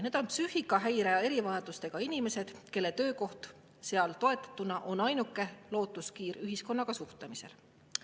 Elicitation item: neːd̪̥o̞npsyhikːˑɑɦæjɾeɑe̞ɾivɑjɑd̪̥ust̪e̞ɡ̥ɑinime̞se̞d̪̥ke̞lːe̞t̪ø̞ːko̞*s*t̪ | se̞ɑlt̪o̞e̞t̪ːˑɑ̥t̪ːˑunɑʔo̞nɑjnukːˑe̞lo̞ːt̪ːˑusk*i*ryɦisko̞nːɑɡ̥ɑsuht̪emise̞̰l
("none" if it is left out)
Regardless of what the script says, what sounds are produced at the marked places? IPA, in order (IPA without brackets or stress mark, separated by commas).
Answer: h, iː